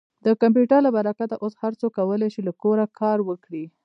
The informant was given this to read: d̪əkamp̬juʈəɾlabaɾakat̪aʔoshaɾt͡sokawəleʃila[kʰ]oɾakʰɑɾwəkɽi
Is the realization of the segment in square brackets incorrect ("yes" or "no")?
yes